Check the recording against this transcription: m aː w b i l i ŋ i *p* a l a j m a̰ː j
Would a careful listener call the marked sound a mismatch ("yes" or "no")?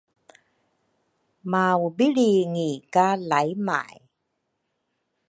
yes